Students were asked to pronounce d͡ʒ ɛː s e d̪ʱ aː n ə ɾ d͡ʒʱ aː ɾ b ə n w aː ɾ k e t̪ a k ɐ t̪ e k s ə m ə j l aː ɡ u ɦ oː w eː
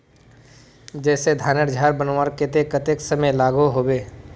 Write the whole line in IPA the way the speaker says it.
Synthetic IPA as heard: d͡ʒ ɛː s e d̪ʱ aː n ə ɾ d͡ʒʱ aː ɾ b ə n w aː ɾ k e t̪ e k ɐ t̪ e k s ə m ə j l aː ɡ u ɦ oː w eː